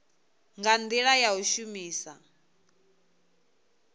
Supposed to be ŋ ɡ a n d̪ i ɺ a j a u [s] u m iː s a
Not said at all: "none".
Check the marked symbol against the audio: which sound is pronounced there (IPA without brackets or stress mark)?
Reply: ʃ